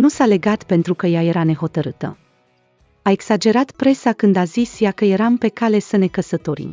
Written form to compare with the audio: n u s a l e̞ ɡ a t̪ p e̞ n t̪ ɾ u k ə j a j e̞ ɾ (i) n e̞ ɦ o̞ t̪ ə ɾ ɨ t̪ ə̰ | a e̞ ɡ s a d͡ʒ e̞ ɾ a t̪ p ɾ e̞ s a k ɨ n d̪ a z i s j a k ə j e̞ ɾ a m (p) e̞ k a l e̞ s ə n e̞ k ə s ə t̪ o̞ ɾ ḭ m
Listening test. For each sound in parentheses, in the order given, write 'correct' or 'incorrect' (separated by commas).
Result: incorrect, correct